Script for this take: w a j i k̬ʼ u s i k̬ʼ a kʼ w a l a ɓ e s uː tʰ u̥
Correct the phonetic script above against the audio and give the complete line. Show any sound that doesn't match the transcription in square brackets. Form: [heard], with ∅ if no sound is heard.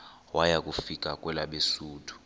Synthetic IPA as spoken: w a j [a] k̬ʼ u [f] i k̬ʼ a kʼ w [ɛ] l a ɓ e s uː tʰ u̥

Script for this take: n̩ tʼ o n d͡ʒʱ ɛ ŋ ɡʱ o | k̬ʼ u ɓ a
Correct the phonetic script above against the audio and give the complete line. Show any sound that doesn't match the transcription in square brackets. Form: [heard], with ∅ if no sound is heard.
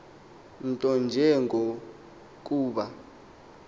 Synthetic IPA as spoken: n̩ tʼ [ɔ] n d͡ʒʱ ɛ ŋ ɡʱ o | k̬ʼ [uː] ɓ a

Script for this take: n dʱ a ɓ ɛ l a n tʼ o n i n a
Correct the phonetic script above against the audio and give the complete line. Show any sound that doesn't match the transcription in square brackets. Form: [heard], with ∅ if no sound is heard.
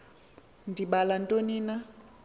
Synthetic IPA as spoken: n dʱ [i] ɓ [a] l a n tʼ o n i n a

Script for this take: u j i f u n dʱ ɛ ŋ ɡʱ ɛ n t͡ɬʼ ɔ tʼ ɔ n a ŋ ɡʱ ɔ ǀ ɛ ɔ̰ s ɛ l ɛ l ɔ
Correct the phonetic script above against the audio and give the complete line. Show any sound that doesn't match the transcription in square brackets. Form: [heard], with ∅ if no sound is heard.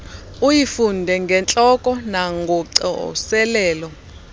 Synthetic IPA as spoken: u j i f u n dʱ ɛ ŋ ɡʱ ɛ n t͡ɬʼ ɔ [kʼ] ɔ n a ŋ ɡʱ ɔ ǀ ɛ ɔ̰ s ɛ l [ɛː] l ɔ

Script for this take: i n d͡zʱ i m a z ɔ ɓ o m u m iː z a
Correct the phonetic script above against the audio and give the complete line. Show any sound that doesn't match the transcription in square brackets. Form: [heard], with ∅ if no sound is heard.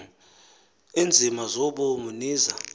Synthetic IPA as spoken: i n d͡zʱ i m a z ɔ ɓ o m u [n] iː z a

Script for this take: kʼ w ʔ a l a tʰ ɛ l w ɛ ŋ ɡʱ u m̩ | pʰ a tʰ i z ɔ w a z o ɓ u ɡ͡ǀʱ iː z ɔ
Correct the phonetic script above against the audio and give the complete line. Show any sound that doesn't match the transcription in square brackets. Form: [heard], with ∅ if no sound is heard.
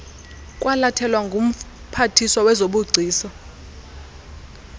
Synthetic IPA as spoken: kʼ w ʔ a l a tʰ ɛ l w [a] ŋ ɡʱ u m̩ | pʰ a tʰ i [s] ɔ w [ɛ] z o ɓ u ɡ͡ǀʱ iː [s] ɔ

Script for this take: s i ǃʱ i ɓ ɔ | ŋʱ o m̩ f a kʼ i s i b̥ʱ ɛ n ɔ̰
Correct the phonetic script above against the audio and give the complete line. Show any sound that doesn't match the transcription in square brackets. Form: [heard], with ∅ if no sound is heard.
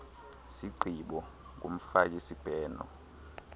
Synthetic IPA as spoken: s i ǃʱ i ɓ ɔ | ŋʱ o m̩ f a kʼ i s i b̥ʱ [ɛː] n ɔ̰

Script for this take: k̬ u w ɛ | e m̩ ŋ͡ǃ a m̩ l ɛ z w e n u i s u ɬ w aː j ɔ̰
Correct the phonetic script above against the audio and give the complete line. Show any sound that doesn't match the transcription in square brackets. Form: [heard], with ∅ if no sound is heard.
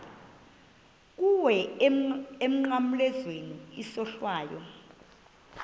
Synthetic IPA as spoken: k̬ u w ɛ | e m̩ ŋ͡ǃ a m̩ l ɛ z w e n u i s [ɔ] ɬ w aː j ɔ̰

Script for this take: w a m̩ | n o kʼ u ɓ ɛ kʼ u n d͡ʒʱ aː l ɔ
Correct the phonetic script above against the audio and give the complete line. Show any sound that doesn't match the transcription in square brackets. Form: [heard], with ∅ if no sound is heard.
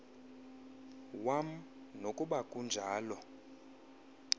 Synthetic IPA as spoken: w a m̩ | n o kʼ u ɓ [a] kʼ u n d͡ʒʱ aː l ɔ

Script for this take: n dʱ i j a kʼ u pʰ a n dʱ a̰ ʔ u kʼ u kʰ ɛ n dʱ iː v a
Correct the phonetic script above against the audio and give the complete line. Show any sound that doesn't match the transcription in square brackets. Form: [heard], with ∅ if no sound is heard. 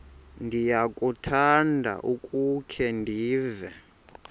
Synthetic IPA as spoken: n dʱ i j a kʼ u [tʰ] a n dʱ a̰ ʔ u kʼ u kʰ ɛ n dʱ iː v [ɛ]

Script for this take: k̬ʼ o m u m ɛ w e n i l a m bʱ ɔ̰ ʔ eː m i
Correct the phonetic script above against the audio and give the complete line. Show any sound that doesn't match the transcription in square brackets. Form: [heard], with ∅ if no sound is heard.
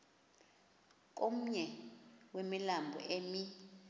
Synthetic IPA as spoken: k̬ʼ o m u [ɲ] ɛ w e [m] i l a m bʱ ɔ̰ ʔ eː m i

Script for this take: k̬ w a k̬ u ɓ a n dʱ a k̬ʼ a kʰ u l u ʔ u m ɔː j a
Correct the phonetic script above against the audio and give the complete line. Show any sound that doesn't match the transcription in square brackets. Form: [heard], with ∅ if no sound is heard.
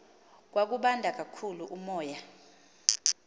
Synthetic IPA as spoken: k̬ w a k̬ u ɓ a n dʱ a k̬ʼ a kʰ u l u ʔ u m ɔː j a

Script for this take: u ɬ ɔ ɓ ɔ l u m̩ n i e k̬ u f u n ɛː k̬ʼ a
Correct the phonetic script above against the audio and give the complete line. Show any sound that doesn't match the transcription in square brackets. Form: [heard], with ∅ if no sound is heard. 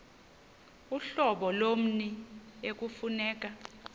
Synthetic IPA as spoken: u ɬ ɔ ɓ ɔ l [o] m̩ n i e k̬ u f u n ɛː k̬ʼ a

